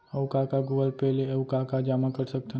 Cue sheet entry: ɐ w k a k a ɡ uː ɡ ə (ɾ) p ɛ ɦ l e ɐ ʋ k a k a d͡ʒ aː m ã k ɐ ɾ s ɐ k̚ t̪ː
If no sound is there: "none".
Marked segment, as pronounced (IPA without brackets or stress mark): l